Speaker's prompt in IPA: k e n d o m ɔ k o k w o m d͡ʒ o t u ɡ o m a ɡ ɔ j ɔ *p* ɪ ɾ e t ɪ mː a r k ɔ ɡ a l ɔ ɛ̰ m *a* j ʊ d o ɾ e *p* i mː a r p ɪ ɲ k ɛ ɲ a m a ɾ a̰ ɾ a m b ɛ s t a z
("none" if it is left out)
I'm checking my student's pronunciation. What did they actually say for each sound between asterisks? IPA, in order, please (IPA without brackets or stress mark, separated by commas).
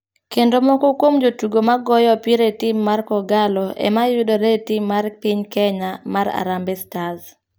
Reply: p, a, t